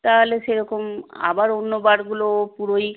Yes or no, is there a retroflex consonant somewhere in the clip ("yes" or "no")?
no